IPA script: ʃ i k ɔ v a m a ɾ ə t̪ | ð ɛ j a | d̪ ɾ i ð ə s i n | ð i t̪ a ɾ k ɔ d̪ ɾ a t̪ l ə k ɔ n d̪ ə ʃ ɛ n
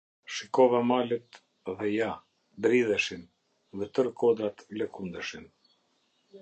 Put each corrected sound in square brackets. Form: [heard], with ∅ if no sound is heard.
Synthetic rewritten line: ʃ i k ɔ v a m a [l] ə t̪ | ð ɛ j a | d̪ ɾ i ð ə [ʃ] i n | ð [ɛ] t̪ [ə] ɾ k ɔ d̪ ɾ a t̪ l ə k [u] n d̪ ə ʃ [i] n